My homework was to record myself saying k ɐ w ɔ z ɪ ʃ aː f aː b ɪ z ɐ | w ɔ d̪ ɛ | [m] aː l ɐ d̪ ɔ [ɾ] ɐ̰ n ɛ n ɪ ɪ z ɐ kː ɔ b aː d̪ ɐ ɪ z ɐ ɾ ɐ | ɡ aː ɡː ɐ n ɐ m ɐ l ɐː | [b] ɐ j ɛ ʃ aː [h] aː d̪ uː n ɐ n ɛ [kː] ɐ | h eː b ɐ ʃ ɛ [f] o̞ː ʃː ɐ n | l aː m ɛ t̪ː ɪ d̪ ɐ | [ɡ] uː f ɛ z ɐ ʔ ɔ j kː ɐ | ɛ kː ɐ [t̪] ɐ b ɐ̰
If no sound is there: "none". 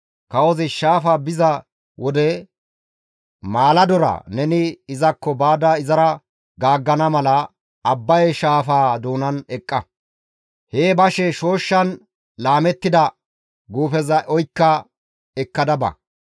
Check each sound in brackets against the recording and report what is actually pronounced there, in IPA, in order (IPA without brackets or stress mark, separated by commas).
m, ɾ, bː, f, kʼː, ʃ, ɡ, d̪